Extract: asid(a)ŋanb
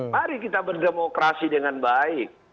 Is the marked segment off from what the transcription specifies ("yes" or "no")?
yes